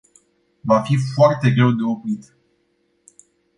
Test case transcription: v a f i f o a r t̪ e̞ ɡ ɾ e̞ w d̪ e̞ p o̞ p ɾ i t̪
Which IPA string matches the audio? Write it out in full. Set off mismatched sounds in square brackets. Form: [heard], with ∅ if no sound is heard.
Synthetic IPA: v a f i f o a r t̪ e̞ ɡ ɾ e̞ w d̪ e̞ [∅] o̞ p ɾ i t̪

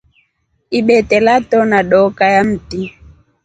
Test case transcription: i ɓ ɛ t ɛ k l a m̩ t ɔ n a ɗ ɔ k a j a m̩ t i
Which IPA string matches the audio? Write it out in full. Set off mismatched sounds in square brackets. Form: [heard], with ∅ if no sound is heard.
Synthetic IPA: i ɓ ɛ t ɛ [∅] l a [∅] t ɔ n a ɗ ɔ k a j a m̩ t i

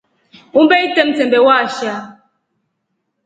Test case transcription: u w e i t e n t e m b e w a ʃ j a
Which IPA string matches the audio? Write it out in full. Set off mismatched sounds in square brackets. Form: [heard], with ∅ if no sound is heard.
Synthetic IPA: u [b] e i t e [m] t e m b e w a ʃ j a

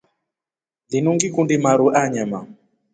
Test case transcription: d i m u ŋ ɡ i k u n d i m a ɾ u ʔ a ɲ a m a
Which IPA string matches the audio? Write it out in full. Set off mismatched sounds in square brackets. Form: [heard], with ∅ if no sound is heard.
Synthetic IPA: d i [n] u ŋ ɡ i k u n d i m a ɾ u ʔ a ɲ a m a

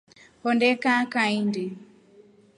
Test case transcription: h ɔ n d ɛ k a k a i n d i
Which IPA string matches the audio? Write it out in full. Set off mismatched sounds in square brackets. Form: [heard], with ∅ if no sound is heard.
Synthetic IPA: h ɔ n d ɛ k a k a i n d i

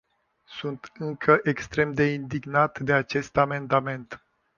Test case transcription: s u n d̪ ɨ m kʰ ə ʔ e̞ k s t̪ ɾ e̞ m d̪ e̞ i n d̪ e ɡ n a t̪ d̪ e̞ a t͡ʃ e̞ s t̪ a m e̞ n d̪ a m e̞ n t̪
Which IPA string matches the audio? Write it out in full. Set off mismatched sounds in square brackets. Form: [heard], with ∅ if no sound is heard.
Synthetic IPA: s u n [t̪] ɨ [ŋ] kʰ ə ʔ e̞ k s t̪ ɾ e̞ m d̪ e̞ i n d̪ [i] ɡ n a t̪ d̪ e̞ a t͡ʃ e̞ s t̪ a m e̞ n d̪ a m e̞ n t̪

